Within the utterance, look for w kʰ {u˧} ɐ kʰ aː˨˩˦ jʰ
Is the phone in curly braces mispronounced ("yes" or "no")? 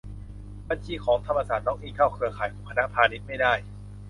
yes